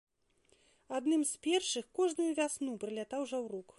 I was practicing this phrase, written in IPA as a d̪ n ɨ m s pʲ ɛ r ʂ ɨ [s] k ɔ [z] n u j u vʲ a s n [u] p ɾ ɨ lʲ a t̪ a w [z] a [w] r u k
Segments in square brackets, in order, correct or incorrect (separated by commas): incorrect, incorrect, correct, incorrect, correct